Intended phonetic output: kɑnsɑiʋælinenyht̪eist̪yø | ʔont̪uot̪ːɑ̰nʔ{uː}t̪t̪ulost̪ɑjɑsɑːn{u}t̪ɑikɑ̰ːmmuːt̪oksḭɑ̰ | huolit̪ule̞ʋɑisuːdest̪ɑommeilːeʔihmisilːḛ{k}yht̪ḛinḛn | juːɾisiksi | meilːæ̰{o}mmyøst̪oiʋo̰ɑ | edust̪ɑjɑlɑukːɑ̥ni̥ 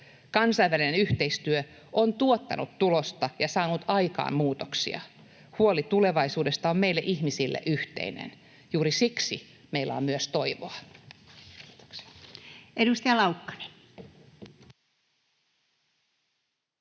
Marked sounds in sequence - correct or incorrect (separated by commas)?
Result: incorrect, correct, incorrect, correct